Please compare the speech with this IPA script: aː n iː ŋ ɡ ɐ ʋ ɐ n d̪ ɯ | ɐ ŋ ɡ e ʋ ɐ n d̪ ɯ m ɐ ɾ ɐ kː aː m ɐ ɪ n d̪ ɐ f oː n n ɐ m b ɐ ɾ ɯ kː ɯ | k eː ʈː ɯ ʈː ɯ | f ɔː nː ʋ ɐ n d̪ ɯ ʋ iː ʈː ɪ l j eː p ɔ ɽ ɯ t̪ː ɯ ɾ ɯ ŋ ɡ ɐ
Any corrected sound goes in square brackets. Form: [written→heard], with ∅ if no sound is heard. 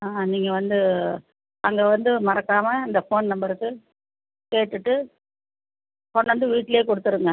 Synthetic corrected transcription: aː n iː ŋ ɡ ɐ ʋ ɐ n d̪ ɯ | ɐ ŋ ɡ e ʋ ɐ n d̪ ɯ m ɐ ɾ ɐ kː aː m ɐ ɪ n d̪ ɐ f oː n n ɐ m b ɐ ɾ ɯ kː ɯ | k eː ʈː ɯ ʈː ɯ | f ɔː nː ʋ ɐ n d̪ ɯ ʋ iː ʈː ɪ l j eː [p→k] ɔ ɽ ɯ t̪ː ɯ ɾ ɯ ŋ ɡ ɐ

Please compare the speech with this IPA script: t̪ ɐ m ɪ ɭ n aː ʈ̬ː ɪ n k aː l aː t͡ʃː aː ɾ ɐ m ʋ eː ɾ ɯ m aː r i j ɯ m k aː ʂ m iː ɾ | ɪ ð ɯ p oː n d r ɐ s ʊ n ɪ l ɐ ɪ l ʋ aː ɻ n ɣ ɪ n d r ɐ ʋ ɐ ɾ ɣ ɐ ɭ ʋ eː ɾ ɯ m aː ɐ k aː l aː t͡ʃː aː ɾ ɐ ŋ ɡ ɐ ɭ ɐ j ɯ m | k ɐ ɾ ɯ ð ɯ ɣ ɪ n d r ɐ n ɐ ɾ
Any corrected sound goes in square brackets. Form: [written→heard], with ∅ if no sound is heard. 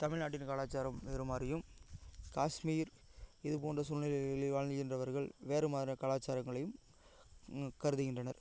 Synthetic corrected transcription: t̪ ɐ m ɪ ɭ n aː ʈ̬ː ɪ n k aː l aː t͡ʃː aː ɾ ɐ m ʋ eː ɾ ɯ m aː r [i→ɪ] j ɯ m k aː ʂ m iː ɾ | ɪ ð ɯ p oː n d r ɐ s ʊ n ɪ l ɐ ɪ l ʋ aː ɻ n ɣ ɪ n d r ɐ ʋ ɐ ɾ ɣ ɐ ɭ ʋ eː ɾ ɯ m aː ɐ k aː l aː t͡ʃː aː ɾ ɐ ŋ ɡ ɐ ɭ ɐ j ɯ m | k ɐ ɾ ɯ ð ɯ ɣ ɪ n d r ɐ n ɐ ɾ

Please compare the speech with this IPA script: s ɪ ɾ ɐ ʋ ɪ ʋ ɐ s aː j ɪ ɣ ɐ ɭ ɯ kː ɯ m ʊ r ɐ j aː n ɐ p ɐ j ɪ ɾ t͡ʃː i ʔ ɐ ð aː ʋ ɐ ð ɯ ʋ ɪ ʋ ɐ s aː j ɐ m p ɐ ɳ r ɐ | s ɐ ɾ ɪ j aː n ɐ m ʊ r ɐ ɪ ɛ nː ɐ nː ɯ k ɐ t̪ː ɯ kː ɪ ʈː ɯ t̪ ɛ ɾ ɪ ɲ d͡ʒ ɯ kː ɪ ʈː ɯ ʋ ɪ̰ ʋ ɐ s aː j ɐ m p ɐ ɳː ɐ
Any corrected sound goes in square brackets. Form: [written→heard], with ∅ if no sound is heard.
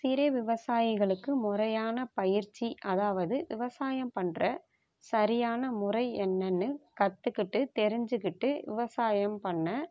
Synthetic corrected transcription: s ɪ ɾ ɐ ʋ ɪ ʋ ɐ s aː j ɪ ɣ ɐ ɭ ɯ kː ɯ m ʊ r ɐ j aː n ɐ p ɐ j ɪ ɾ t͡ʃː i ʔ ɐ ð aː ʋ ɐ ð ɯ ʋ ɪ ʋ ɐ s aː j ɐ m p ɐ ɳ r ɐ | s ɐ ɾ ɪ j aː n ɐ m ʊ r ɐ ɪ ɛ nː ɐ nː ɯ k ɐ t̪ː ɯ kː ɪ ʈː ɯ t̪ ɛ ɾ ɪ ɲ d͡ʒ ɯ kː ɪ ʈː ɯ ʋ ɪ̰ ʋ ɐ s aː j ɐ m p ɐ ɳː ɐ

